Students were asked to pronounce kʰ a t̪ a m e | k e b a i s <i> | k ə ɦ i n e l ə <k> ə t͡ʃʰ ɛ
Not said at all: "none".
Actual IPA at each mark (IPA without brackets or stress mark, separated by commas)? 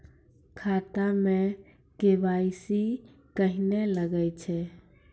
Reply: i, ɡ